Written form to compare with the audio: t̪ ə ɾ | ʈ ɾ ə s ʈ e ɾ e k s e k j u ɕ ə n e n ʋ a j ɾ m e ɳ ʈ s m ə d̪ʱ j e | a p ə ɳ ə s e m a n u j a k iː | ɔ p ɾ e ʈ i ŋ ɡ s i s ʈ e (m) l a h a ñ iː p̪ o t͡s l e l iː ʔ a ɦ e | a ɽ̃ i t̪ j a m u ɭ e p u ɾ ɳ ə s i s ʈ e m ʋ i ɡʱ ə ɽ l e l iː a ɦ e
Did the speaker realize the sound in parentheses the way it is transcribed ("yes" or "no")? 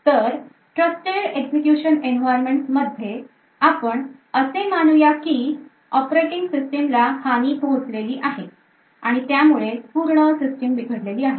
yes